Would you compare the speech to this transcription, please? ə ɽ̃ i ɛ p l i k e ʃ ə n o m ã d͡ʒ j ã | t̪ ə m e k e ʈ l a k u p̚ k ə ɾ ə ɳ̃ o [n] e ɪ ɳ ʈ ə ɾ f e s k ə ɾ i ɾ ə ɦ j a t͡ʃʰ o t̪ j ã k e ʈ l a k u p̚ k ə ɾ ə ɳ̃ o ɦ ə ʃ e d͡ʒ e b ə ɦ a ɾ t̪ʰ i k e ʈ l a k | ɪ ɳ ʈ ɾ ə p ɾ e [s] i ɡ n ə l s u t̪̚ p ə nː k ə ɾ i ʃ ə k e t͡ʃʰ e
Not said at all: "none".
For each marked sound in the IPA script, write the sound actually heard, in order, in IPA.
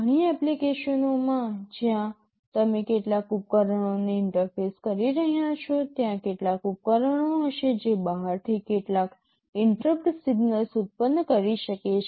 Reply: n, s

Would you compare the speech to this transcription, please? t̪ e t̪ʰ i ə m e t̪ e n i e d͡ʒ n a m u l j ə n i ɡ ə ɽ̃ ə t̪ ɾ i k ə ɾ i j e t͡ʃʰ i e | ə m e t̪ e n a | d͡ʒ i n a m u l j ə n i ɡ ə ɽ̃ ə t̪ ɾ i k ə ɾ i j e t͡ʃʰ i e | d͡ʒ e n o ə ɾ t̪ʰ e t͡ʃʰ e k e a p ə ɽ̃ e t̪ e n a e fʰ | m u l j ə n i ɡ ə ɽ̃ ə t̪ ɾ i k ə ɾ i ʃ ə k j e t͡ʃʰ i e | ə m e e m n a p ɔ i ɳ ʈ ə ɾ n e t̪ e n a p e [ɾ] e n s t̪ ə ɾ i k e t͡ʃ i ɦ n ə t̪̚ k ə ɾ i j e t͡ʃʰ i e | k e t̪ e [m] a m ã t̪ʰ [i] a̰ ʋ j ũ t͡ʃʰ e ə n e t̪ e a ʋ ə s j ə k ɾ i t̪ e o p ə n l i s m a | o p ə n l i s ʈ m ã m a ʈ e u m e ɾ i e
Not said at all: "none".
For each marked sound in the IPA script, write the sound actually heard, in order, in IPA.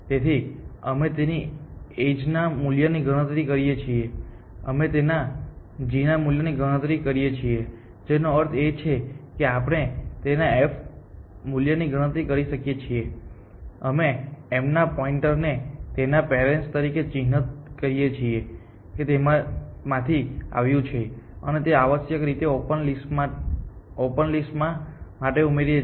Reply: ɾ, m, i

